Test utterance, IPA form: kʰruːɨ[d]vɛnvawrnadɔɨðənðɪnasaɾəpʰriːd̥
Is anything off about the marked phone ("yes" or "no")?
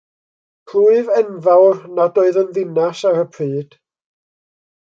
yes